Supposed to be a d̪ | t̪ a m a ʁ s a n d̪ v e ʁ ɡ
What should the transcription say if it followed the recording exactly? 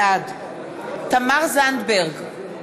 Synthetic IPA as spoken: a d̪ | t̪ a m a ʁ z a n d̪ b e ʁ ɡ